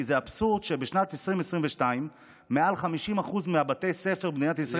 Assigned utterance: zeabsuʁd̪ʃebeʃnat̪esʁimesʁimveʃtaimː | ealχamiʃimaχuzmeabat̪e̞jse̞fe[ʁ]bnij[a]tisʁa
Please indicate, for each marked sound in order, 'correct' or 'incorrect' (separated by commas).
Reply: correct, correct